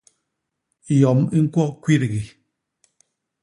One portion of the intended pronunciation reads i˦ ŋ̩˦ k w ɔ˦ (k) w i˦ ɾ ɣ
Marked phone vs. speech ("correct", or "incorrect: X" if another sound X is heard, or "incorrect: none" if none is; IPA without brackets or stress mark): correct